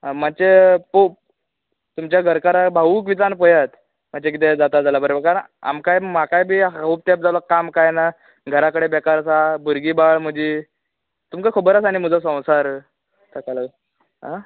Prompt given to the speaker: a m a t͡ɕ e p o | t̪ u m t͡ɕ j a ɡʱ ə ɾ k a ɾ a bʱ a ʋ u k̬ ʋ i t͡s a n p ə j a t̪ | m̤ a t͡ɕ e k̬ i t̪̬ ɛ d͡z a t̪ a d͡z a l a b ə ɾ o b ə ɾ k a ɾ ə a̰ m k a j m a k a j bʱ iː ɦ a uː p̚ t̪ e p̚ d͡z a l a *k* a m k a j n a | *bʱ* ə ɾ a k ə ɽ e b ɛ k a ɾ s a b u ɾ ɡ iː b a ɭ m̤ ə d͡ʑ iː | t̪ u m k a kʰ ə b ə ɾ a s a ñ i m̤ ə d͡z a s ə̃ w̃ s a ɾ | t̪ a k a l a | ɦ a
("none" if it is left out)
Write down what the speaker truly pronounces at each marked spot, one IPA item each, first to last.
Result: k, ɡʱ

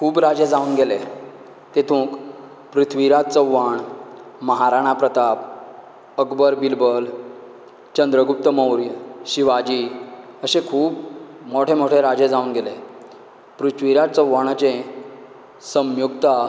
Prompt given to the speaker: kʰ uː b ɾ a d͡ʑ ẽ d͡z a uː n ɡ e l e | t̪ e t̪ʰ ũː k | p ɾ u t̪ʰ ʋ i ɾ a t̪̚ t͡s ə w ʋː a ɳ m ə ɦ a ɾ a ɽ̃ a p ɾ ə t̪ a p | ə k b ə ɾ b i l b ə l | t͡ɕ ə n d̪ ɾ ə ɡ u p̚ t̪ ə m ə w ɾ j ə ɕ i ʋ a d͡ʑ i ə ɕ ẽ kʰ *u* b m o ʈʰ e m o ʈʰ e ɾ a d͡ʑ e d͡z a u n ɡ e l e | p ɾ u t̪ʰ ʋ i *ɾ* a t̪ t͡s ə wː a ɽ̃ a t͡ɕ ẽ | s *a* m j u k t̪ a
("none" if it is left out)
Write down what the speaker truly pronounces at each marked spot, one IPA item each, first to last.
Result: uː, ɾ, ə

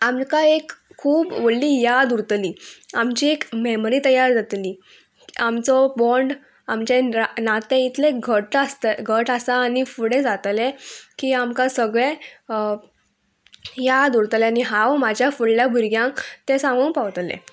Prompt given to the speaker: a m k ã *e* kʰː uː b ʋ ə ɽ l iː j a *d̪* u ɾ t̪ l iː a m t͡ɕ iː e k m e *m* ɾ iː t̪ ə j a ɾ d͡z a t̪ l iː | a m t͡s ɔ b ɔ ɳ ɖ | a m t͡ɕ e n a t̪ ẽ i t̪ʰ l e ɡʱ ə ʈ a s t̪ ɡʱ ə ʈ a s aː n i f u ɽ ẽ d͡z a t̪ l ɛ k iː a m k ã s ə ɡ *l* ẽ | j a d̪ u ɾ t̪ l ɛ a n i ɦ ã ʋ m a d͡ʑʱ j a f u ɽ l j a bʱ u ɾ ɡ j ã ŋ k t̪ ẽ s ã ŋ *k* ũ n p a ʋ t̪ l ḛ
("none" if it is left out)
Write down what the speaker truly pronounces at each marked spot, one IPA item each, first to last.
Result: e, d̪, m, ɭ, ɡ

